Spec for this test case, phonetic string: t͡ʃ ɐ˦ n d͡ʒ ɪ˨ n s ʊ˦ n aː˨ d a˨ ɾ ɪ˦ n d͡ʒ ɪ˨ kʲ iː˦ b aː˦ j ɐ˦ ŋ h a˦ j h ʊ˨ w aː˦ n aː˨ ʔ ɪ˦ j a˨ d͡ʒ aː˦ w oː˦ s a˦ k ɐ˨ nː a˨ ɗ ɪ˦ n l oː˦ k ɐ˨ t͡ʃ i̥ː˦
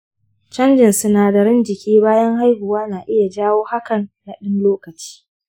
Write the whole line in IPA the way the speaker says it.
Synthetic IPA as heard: t͡ʃ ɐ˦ n d͡ʒ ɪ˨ n s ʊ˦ n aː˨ d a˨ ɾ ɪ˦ n d͡ʒ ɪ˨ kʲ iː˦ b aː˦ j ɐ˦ ŋ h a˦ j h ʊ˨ w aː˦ n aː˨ ʔ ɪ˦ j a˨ d͡ʒ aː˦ w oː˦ h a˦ k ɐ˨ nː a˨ ɗ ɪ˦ n l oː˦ k ɐ˨ t͡ʃ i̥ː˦